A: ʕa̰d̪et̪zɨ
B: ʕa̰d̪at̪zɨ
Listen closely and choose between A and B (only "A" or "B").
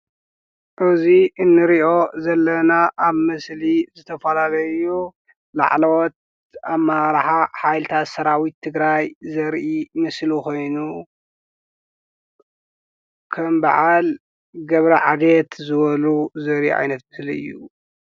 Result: A